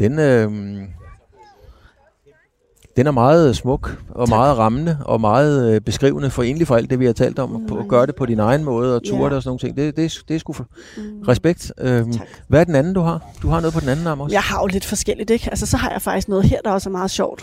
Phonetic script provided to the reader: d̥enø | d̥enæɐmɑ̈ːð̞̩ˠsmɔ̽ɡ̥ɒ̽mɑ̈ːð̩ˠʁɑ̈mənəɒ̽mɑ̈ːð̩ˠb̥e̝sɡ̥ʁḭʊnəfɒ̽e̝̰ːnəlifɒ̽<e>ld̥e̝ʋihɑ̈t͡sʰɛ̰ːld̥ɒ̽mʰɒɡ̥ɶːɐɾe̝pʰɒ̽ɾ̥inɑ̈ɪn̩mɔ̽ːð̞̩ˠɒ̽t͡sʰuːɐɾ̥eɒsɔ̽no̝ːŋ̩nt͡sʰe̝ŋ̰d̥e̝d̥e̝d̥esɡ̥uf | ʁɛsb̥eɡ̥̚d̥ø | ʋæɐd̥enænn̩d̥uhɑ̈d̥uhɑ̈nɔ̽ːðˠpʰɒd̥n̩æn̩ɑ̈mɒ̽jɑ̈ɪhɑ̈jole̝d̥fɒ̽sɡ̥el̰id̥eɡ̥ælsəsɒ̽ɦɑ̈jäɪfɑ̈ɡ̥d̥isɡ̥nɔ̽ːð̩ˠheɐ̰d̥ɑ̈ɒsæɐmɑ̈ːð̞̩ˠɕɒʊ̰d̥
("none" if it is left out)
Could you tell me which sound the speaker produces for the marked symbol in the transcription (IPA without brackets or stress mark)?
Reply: æ